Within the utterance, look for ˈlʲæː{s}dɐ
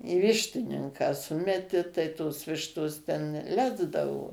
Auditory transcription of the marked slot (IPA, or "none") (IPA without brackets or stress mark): z